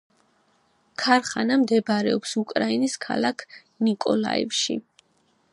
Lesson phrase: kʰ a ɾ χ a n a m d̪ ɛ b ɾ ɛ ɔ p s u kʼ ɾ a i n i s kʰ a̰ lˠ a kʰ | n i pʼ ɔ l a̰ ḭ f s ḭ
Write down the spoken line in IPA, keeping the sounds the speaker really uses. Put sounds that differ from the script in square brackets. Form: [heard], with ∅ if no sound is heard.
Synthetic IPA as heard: kʰ a ɾ χ a n a m d̪ ɛ b ɾ ɛ ɔ p s u kʼ ɾ a i n i s kʰ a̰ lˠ a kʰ | n i [kʼ] ɔ l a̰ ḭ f [ʃ] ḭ

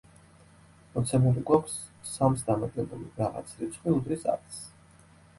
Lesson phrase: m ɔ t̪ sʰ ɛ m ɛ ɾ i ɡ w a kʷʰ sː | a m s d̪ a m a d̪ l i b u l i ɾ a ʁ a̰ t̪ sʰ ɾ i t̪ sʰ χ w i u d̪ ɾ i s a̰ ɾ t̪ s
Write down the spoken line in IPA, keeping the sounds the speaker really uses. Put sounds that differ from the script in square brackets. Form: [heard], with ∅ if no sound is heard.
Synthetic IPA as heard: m ɔ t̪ sʰ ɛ m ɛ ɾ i ɡ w a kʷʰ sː | a m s d̪ a m a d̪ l [ɛ] b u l i ɾ a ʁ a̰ t̪ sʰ ɾ i t̪ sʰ χ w i u d̪ ɾ i s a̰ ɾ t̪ s

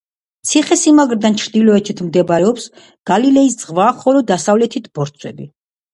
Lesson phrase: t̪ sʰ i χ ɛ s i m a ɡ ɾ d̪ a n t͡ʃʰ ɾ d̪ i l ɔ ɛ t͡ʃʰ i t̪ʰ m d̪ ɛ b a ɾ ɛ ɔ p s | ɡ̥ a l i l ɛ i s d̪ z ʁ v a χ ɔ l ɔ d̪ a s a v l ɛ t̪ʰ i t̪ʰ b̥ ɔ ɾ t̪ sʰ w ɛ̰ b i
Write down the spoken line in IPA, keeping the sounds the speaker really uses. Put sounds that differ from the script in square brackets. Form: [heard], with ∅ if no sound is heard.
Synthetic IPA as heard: t̪ sʰ i χ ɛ s i m a ɡ ɾ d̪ a n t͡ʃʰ ɾ d̪ i l ɔ ɛ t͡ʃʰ i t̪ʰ m d̪ ɛ b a ɾ ɛ ɔ p s | ɡ̥ a l i l ɛ i s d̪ z ʁ v a χ ɔ l ɔ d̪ a s a v l ɛ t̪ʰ i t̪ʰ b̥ ɔ ɾ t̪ sʰ w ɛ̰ b i

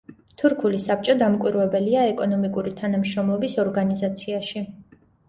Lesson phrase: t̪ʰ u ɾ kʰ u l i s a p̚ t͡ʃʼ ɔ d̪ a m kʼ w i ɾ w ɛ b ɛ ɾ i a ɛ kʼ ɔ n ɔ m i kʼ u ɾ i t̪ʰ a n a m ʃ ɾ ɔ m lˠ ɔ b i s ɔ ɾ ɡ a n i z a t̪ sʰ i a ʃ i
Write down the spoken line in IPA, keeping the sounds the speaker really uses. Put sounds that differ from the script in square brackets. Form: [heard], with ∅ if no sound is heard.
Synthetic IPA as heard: t̪ʰ u ɾ kʰ u l i s a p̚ t͡ʃʼ ɔ d̪ a m kʼ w i ɾ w ɛ b ɛ [l] i a ɛ kʼ ɔ n ɔ m i kʼ u ɾ i t̪ʰ a n a m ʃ ɾ ɔ m lˠ ɔ b i s ɔ ɾ ɡ a n i z a t̪ sʰ i a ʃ i

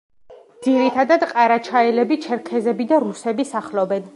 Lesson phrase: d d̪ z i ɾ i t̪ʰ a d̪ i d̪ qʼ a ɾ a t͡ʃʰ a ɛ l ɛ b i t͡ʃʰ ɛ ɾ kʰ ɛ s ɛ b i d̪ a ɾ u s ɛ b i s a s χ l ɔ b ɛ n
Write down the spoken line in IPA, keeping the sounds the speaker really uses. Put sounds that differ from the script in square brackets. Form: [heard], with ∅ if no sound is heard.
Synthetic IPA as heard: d d̪ z i ɾ i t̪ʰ a d̪ [a] d̪ qʼ a ɾ a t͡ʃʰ a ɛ l ɛ b i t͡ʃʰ ɛ ɾ kʰ ɛ [z] ɛ b i d̪ a ɾ u s ɛ b i s a [∅] χ l ɔ b ɛ n

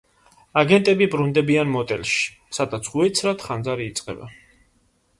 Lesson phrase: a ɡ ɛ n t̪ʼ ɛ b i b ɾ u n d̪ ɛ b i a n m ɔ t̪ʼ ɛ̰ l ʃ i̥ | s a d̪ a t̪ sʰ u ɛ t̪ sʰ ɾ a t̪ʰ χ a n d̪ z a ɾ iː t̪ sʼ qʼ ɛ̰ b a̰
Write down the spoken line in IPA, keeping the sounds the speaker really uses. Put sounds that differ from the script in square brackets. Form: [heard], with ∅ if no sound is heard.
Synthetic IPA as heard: a ɡ ɛ n t̪ʼ ɛ b i b ɾ u n d̪ ɛ b i a n m ɔ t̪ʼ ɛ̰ l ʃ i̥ | s a d̪ a t̪ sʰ u ɛ t̪ sʰ ɾ a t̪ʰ χ a n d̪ z a ɾ iː t̪ sʼ qʼ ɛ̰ b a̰

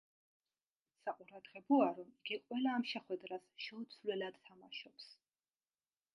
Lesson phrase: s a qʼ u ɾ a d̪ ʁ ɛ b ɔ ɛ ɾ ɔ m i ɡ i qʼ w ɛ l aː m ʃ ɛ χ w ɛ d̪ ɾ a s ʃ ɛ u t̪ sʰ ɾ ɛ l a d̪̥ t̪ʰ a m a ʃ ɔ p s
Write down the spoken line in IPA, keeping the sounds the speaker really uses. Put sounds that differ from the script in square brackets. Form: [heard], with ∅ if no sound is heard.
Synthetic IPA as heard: s a qʼ u ɾ a d̪ ʁ ɛ b ɔ [a] ɾ ɔ m i ɡ i qʼ w ɛ l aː m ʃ ɛ χ w ɛ d̪ ɾ a s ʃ ɛ u t̪ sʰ [l] ɛ l a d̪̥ t̪ʰ a m a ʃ ɔ p s

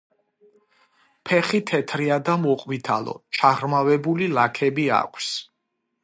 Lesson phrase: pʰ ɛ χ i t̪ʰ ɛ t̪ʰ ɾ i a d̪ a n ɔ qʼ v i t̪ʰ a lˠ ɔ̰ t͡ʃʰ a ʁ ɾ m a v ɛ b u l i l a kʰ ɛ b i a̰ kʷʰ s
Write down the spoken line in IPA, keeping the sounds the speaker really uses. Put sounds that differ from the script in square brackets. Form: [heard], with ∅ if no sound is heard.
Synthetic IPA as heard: pʰ ɛ χ i t̪ʰ ɛ t̪ʰ ɾ i a d̪ a [m] ɔ qʼ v i t̪ʰ a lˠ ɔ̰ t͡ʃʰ a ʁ ɾ m a v ɛ b u l i l a kʰ ɛ b i a̰ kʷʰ s

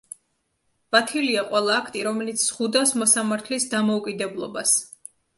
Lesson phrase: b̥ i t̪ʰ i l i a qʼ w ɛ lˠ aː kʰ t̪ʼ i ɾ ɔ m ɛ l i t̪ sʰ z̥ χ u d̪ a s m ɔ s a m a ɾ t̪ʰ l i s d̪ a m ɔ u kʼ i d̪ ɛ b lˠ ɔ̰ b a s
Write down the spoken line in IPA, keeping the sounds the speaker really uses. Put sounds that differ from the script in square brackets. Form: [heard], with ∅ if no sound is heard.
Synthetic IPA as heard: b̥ [a] t̪ʰ i l i a qʼ w ɛ lˠ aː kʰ t̪ʼ i ɾ ɔ m ɛ l i t̪ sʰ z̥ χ u d̪ a s m ɔ s a m a ɾ t̪ʰ l i s d̪ a m ɔ u kʼ i d̪ ɛ b lˠ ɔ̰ b a s

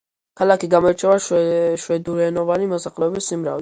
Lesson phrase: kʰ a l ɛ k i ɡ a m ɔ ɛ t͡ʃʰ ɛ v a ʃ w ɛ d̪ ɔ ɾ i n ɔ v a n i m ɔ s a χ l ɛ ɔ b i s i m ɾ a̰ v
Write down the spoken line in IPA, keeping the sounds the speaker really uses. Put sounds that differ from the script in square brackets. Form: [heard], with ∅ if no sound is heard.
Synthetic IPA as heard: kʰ a l [a] k i ɡ a m ɔ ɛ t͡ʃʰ ɛ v a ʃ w ɛ d̪ [u] ɾ [ɛ] n ɔ v a n i m ɔ s a χ l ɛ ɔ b i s i m ɾ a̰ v

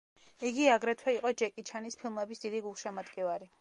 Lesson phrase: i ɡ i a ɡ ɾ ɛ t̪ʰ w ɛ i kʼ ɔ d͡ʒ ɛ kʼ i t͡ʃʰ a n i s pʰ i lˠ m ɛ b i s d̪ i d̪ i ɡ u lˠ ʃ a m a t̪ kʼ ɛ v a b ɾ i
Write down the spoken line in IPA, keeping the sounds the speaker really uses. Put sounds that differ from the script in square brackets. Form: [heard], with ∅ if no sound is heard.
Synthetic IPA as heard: i ɡ i a ɡ ɾ ɛ t̪ʰ w ɛ i [qʼ] ɔ d͡ʒ ɛ kʼ i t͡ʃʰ a n i s pʰ i lˠ m ɛ b i s d̪ i d̪ i ɡ u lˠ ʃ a m a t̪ kʼ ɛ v a [∅] ɾ i

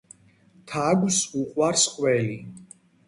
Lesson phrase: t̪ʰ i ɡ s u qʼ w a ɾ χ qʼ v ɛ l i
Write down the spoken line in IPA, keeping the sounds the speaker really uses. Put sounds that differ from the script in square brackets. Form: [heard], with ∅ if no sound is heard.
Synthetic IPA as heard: t̪ʰ [a] ɡ s u qʼ w a ɾ [s] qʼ [w] ɛ l i

